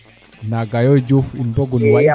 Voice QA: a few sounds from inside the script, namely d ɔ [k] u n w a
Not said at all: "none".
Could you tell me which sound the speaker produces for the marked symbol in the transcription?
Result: ɡ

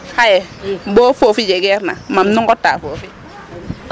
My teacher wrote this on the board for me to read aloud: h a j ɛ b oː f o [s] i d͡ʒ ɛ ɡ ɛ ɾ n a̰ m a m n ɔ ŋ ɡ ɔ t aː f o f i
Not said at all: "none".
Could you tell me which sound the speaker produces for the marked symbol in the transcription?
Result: f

